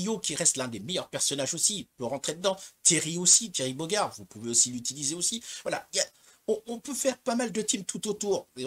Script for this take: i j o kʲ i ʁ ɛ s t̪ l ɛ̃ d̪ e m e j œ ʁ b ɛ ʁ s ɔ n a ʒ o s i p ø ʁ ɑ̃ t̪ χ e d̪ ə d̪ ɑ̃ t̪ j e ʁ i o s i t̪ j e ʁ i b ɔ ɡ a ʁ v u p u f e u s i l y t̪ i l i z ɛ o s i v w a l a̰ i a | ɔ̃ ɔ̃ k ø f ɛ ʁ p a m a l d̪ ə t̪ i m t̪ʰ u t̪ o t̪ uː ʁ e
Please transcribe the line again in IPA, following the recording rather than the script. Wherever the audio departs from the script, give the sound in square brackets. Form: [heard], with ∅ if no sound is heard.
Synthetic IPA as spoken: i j o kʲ i ʁ ɛ s t̪ l ɛ̃ d̪ e m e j œ ʁ [p] ɛ ʁ s ɔ n a ʒ o s i p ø ʁ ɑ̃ t̪ χ e d̪ ə d̪ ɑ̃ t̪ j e ʁ i o s i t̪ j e ʁ i b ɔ ɡ a ʁ v u p u [v] e [o] s i l y t̪ i l i z [e] o s i v w a l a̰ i a | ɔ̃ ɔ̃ [p] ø f ɛ ʁ p a m a l d̪ ə t̪ i m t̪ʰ u t̪ o t̪ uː ʁ e